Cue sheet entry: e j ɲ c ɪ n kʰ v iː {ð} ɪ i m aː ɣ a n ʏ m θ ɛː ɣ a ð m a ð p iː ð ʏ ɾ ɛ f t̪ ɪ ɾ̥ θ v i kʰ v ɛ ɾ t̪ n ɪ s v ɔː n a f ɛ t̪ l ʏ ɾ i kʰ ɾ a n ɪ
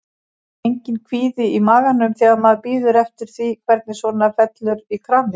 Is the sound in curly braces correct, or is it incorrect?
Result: correct